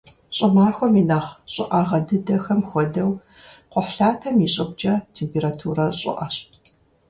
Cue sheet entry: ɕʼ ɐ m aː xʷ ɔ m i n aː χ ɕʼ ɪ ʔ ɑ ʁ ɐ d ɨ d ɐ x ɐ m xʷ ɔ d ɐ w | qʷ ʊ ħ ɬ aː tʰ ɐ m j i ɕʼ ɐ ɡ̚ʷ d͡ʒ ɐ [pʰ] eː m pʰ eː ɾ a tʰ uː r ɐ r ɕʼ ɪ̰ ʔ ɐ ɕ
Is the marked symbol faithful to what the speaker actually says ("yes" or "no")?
no